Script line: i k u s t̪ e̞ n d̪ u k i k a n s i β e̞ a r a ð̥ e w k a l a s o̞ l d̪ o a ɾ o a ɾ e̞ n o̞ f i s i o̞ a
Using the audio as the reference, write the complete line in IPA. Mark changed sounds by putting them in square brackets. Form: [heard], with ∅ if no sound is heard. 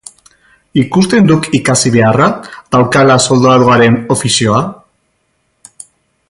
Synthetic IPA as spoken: i k u s t̪ e̞ n d̪ u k i k a [∅] s i β e̞ a r a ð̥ [a] w k a l a s o̞ l d̪ o a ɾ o a ɾ e̞ n o̞ f i s i o̞ a